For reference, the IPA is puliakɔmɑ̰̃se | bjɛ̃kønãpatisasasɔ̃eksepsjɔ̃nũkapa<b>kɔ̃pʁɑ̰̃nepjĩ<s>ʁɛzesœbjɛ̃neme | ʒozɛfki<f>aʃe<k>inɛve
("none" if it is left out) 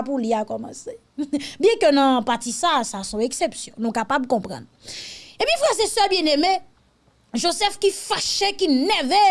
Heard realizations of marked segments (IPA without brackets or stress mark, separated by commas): b, f, f, k